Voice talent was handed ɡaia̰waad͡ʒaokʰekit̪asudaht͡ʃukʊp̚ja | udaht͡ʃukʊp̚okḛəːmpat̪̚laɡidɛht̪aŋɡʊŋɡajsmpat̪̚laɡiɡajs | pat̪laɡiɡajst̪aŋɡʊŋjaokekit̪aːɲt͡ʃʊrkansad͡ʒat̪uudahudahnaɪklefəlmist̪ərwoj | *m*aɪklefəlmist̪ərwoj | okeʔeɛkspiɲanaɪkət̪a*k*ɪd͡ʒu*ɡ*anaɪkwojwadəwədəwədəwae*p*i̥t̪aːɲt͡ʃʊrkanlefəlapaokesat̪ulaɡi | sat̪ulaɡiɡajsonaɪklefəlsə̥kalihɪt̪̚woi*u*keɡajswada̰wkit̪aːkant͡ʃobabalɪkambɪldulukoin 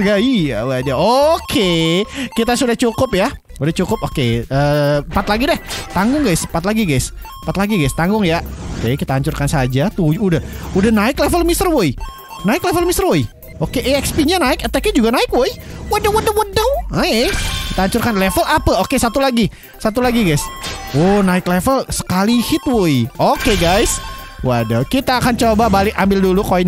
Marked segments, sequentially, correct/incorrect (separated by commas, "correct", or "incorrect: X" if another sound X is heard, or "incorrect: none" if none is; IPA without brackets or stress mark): incorrect: n, correct, correct, incorrect: k, incorrect: o